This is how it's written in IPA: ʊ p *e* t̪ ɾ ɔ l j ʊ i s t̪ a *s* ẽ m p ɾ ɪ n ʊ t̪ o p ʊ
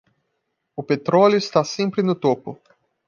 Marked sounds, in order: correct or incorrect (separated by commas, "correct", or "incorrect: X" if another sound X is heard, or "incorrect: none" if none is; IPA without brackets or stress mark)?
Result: correct, correct